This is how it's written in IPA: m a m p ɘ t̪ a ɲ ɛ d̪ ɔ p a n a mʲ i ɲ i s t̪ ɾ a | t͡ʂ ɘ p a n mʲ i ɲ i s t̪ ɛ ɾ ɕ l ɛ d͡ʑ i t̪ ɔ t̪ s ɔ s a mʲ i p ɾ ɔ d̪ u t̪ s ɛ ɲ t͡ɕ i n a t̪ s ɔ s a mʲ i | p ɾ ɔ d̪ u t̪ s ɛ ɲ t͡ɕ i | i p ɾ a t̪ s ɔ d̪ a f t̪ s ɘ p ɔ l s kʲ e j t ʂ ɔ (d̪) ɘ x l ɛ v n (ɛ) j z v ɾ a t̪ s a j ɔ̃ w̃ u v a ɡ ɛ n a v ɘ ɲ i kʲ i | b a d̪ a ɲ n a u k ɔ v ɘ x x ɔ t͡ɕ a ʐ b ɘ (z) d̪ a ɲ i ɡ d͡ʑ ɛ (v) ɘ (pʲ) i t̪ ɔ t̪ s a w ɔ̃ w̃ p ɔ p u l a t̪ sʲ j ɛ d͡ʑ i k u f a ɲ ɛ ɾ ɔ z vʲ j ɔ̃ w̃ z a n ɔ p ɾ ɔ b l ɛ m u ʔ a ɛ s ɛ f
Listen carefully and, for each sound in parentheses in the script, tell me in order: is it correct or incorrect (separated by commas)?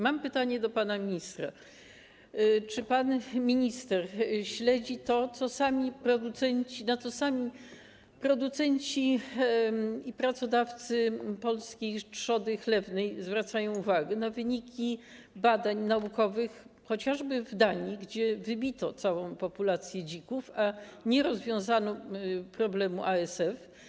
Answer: correct, correct, incorrect, correct, incorrect